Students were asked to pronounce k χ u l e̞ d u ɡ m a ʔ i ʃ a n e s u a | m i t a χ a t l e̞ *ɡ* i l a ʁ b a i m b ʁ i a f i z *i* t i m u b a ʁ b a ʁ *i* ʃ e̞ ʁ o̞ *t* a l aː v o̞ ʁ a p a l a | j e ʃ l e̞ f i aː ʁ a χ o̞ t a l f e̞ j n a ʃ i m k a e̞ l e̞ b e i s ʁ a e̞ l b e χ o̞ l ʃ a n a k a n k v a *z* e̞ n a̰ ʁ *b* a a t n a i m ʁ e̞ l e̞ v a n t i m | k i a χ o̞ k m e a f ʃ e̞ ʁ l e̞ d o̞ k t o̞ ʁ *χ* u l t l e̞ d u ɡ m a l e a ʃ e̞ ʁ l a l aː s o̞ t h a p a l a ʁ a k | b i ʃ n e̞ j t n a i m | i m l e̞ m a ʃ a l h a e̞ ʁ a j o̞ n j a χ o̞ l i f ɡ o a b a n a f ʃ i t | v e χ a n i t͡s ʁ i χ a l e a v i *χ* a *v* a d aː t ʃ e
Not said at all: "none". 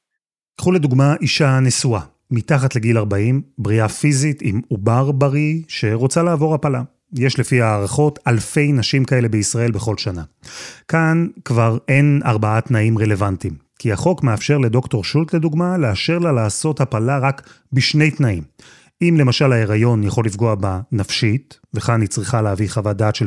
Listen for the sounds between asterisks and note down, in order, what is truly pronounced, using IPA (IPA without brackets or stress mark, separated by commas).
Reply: ɡ, i, i, t͡s, ʁ, b, ʃ, χ, v